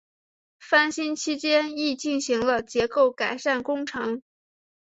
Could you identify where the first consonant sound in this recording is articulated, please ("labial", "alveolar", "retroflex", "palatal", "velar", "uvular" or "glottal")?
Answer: labial